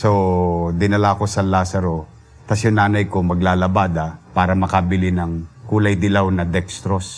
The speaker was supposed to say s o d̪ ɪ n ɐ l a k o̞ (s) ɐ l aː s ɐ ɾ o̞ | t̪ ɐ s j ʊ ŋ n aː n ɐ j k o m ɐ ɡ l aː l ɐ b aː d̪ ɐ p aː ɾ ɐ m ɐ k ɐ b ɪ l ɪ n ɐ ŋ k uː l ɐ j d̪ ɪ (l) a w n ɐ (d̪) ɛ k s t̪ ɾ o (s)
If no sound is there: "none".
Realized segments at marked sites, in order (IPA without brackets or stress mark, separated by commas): s, l, d̪, s